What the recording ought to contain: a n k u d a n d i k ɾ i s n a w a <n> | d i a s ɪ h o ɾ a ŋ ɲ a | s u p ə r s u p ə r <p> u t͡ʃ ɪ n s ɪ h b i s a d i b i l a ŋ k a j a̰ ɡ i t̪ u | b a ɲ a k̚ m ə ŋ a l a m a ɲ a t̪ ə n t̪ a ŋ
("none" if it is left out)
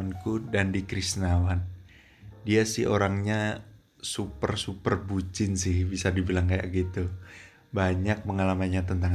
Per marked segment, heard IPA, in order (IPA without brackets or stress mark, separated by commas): n, b